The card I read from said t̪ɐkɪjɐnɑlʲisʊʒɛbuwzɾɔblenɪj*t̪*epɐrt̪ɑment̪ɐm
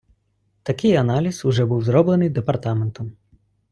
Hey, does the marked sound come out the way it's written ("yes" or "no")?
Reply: no